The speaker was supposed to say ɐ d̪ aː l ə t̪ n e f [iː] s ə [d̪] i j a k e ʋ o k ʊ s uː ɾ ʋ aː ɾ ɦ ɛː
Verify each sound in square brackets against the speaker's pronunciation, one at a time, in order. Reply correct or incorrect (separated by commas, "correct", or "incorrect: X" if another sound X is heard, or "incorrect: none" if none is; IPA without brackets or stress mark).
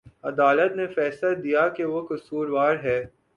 incorrect: ɛː, correct